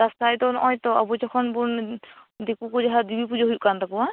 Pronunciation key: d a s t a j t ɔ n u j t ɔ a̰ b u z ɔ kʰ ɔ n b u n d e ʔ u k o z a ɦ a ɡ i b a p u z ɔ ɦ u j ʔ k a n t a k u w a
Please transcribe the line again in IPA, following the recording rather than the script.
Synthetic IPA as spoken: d a s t a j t ɔ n ɔ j t ɔ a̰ b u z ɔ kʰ ɔ n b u n d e k u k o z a ɦ a d i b i p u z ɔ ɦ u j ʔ k a n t a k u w a